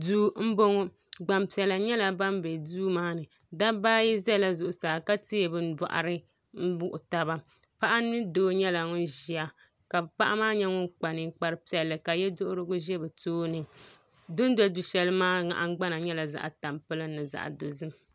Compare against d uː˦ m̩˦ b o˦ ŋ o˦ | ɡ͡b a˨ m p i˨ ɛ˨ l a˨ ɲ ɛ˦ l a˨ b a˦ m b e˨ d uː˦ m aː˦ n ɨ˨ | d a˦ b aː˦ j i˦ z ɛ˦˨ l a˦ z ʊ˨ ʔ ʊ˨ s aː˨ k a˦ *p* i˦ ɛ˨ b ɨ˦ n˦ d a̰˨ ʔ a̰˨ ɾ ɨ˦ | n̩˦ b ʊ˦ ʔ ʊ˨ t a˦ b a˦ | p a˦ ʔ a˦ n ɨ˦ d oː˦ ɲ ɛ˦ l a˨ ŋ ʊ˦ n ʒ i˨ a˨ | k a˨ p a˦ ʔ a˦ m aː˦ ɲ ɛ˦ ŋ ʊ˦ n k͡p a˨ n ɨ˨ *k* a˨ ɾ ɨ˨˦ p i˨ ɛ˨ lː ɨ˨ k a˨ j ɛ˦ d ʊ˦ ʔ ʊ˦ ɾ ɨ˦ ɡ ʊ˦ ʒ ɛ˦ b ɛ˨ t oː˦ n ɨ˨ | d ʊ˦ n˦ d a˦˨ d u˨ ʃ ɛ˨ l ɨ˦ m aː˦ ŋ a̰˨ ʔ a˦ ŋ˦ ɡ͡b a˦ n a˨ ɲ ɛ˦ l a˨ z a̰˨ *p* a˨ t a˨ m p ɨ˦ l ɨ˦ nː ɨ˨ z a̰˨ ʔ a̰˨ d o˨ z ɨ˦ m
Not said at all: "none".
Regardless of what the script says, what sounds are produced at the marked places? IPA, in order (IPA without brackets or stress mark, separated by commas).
t, k͡p, ʔ